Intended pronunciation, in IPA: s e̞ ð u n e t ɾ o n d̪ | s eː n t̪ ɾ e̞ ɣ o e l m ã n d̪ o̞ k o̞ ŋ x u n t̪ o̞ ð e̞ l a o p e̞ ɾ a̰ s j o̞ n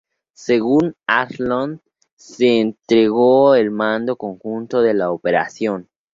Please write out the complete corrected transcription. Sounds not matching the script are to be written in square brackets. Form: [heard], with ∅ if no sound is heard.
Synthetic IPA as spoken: s e̞ [ɣ] u n [a] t [l] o n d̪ | s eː n t̪ ɾ e̞ ɣ o e l m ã n d̪ o̞ k o̞ ŋ x u n t̪ o̞ ð e̞ l a o p e̞ ɾ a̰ s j o̞ n

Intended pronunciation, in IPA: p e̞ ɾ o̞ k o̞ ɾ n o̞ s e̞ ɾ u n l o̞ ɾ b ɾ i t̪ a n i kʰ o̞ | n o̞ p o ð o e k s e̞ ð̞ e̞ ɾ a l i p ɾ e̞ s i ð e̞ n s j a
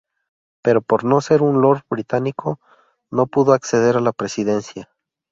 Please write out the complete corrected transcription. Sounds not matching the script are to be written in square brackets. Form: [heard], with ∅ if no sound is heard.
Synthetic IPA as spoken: p e̞ ɾ o̞ [p] o̞ ɾ n o̞ s e̞ ɾ u n l o̞ ɾ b ɾ i t̪ a n i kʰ o̞ | n o̞ p [u] ð o [a] k s e̞ ð̞ e̞ ɾ a l [a] p ɾ e̞ s i ð e̞ n s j a

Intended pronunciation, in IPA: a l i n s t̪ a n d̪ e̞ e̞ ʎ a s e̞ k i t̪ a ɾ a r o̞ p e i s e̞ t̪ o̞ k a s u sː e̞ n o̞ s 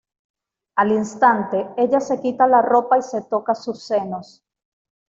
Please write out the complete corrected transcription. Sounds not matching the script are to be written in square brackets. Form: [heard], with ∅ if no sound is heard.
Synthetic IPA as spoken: a l i n s t̪ a n [t̪] e̞ e̞ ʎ a s e̞ k i t̪ a [l] a r o̞ p [a] i s e̞ t̪ o̞ k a s u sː e̞ n o̞ s

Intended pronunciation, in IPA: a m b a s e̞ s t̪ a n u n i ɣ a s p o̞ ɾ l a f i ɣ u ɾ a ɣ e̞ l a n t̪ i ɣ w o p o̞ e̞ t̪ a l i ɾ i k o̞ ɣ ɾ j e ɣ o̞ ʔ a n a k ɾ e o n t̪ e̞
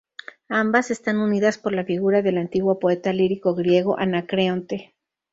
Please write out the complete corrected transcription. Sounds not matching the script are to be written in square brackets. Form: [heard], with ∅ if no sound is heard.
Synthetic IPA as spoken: a m b a s e̞ s t̪ a n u n i [ð] a s p o̞ ɾ l a f i ɣ u ɾ a [ð] e̞ l a n t̪ i ɣ w o p o̞ e̞ t̪ a l i ɾ i k o̞ ɣ ɾ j e ɣ o̞ ʔ a n a k ɾ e o n t̪ e̞

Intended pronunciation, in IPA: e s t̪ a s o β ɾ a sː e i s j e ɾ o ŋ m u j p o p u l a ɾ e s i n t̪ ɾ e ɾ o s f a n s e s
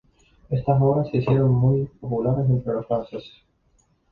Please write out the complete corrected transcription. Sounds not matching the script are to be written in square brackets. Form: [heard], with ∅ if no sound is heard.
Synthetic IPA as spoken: e s t̪ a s o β ɾ a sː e i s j e ɾ o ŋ m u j p o p u l a ɾ e s [e] n t̪ ɾ e [l] o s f a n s e s

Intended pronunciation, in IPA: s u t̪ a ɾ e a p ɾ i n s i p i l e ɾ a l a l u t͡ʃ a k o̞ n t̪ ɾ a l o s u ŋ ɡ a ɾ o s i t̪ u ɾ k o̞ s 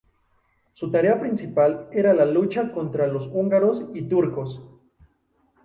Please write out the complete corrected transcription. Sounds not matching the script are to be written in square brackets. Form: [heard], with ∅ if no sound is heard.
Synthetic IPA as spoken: s u t̪ a ɾ e a p ɾ i n s i p [a] l e ɾ a l a l u t͡ʃ a k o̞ n t̪ ɾ a l o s u ŋ ɡ a ɾ o s i t̪ u ɾ k o̞ s

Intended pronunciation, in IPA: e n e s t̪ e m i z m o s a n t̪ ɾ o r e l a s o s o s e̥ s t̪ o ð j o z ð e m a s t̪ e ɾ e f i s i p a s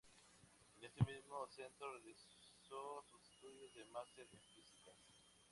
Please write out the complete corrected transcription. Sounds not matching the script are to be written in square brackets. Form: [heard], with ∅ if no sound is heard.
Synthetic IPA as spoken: e n e s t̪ e m i z m o s [e] n t̪ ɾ o r e l [i] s o s [u] s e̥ s t̪ [u] ð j o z ð e m a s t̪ e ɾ e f i s i [k] a s

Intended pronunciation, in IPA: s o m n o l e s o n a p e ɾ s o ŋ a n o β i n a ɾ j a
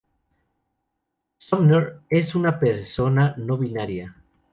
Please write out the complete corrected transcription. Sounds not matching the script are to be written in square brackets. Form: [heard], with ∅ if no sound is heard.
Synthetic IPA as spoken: s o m n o [ɾ] e s [u] n a p e ɾ s o [n] a n o β i n a ɾ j a

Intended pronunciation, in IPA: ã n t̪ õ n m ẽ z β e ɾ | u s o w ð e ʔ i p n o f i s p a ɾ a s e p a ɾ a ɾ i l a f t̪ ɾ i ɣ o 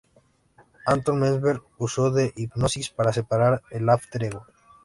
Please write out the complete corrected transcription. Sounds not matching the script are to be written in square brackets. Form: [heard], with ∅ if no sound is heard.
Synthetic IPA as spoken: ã n t̪ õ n m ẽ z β e ɾ | u s o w ð e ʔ i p n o [s] i s p a ɾ a s e p a ɾ a ɾ [e] l a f t̪ ɾ [e] ɣ o

